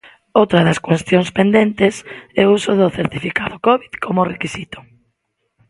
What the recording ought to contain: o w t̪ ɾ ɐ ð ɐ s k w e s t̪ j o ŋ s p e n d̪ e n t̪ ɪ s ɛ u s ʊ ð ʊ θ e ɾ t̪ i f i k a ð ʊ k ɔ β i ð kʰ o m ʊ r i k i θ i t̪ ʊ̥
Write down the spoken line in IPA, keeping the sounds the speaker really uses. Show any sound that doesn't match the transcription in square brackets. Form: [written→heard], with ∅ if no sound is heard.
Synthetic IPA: o w t̪ ɾ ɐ ð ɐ s k w e s t̪ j o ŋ s p e n d̪ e n t̪ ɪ s ɛ u s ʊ ð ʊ θ e ɾ t̪ i f i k a ð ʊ k ɔ β i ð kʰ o m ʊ r [i→e] k i [θ→s] i t̪ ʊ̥